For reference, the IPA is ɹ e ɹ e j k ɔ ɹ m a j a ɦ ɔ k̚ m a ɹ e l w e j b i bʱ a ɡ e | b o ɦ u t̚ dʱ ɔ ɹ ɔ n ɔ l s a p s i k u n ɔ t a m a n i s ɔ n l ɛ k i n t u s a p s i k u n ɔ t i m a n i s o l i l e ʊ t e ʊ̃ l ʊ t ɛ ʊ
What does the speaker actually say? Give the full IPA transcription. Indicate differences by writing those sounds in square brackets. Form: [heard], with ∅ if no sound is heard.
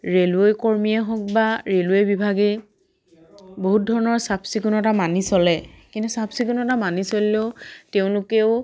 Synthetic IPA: ɹ e [l] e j k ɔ ɹ m [i] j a ɦ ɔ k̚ [b] a ɹ e l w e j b i bʱ a ɡ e | b o ɦ u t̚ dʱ ɔ ɹ ɔ n ɔ [ɹ] s a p s i k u n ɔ t a m a n i s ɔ [∅] l ɛ k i n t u s a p s i k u n ɔ t [a] m a n i s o l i l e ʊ t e ʊ̃ l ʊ [k] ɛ ʊ

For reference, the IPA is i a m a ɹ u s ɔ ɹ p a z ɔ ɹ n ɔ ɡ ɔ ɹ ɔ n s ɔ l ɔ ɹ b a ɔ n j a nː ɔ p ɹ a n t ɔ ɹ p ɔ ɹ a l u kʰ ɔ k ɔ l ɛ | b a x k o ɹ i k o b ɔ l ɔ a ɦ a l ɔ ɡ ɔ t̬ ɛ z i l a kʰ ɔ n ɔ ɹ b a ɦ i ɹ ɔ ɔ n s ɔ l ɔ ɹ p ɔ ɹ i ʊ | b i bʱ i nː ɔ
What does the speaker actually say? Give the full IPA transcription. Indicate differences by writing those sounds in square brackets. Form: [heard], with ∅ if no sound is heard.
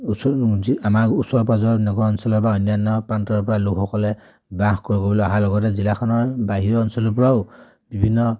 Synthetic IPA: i a m a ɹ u s ɔ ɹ p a z ɔ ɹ n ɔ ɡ ɔ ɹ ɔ n s ɔ l ɔ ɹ b a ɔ n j a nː ɔ p ɹ a n t ɔ ɹ p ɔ ɹ a l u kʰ ɔ k ɔ l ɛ | b a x k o ɹ i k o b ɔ l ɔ a ɦ a l ɔ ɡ ɔ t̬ ɛ z i l a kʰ ɔ n ɔ ɹ b a ɦ i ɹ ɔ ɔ n s ɔ l ɔ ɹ p ɔ ɹ [a] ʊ | b i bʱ i nː ɔ

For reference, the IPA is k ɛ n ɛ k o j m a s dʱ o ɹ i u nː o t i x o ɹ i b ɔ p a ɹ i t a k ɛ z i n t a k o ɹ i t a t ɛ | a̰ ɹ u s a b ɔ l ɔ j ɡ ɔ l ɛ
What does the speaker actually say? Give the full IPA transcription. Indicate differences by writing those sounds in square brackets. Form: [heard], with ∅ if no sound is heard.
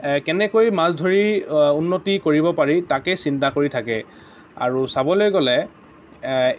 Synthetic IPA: k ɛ n ɛ k o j m a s dʱ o ɹ i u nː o t i [k] o ɹ i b ɔ p a ɹ i t a k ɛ [s] i n t a k o ɹ i [tʰ] a [k] ɛ | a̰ ɹ u s a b ɔ l [o] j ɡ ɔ l ɛ

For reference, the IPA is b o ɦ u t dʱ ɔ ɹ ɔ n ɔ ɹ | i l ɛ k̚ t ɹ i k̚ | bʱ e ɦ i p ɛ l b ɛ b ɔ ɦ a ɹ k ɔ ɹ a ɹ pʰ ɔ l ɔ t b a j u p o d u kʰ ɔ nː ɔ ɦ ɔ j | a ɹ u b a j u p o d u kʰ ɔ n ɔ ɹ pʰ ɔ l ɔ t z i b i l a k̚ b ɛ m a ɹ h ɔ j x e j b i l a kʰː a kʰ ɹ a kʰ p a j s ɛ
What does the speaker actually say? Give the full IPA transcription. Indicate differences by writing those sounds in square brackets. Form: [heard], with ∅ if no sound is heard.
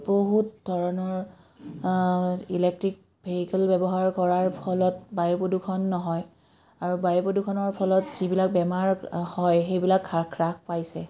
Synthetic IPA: b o ɦ u t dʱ ɔ ɹ ɔ n ɔ ɹ | i l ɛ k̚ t ɹ i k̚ | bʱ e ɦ i [k] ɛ l b ɛ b ɔ ɦ a ɹ k ɔ ɹ a ɹ pʰ ɔ l ɔ t b a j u p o d u kʰ ɔ nː ɔ ɦ ɔ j | a ɹ u b a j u p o d u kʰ ɔ n ɔ ɹ pʰ ɔ l ɔ t z i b i l a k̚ b ɛ m a ɹ h ɔ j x e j b i l a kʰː a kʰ ɹ a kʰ p a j s ɛ

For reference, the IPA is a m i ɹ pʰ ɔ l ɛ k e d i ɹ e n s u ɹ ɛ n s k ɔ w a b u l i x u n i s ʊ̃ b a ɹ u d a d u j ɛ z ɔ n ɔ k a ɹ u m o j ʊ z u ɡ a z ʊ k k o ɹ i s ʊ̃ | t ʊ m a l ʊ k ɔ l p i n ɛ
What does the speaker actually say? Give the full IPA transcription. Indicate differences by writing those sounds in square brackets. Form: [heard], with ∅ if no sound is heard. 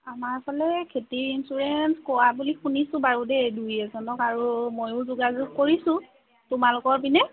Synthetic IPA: a m [a] ɹ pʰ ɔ l ɛ [kʰ] e [t] i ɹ [i] n s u ɹ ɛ n s k ɔ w a b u l i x u n i s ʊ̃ b a ɹ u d [ɛ] d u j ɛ z ɔ n ɔ k a ɹ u m o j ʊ z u ɡ a z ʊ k k o ɹ i s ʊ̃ | t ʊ m a l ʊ k ɔ [ɹ] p i n ɛ

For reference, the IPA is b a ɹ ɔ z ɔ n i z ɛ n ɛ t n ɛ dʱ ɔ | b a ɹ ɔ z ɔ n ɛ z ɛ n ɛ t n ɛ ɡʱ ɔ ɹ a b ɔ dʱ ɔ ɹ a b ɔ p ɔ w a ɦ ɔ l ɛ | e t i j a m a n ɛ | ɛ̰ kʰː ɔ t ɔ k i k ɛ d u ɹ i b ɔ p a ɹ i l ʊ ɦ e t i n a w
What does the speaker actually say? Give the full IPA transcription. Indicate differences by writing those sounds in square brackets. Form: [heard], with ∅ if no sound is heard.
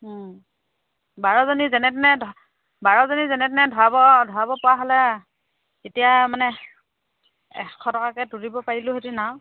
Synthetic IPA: b a ɹ ɔ z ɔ n i z ɛ n ɛ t n ɛ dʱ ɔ | b a ɹ ɔ z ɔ n [i] z ɛ n ɛ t n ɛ [dʱ] ɔ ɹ a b ɔ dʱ ɔ ɹ a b ɔ p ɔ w a ɦ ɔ l ɛ | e t i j a m a n ɛ | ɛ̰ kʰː ɔ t ɔ k [a] k ɛ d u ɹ i b ɔ p a ɹ i l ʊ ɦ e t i n a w

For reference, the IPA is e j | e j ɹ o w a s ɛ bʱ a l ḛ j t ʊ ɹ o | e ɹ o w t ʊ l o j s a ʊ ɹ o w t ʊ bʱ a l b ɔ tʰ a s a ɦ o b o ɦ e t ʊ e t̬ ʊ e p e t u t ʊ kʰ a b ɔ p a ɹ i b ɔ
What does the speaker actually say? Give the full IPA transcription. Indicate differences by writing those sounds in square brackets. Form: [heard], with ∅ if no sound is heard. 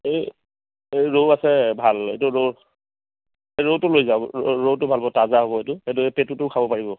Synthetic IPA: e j | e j ɹ o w a s ɛ bʱ a l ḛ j t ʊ ɹ o | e ɹ o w t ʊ l o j [z] a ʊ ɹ o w t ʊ bʱ a l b ɔ [t] a [z] a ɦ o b [ɔ] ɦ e t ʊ e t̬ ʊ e p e t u t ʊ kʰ a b ɔ p a ɹ i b ɔ

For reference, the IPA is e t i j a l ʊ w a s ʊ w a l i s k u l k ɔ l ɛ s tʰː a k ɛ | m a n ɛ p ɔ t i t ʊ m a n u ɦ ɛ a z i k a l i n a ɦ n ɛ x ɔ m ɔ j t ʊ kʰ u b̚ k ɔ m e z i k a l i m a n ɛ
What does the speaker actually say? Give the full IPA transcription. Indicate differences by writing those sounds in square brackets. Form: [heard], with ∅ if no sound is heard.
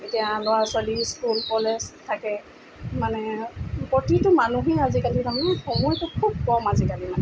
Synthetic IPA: e t i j a l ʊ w a s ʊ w a l i s k u l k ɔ l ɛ s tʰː a k ɛ | m a n ɛ p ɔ t i t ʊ m a n u ɦ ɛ a z i k a l i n a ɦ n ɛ x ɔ m ɔ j t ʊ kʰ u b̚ k ɔ m [a] z i k a l i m a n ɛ

